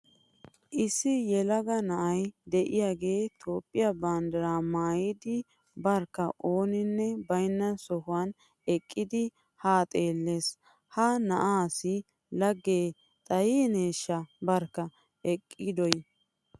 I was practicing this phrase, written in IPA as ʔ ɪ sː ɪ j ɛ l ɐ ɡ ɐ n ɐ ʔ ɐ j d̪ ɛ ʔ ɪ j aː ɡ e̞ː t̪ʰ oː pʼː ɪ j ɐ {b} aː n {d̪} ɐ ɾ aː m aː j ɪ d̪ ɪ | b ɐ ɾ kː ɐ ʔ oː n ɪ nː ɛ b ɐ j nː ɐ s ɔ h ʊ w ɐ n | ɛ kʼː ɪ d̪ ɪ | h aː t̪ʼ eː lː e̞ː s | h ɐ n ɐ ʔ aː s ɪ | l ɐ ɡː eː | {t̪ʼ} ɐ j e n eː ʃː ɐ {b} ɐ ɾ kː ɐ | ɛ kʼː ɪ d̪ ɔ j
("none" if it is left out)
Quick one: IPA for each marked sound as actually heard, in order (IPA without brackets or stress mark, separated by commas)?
b, d̪, t̪ʼ, b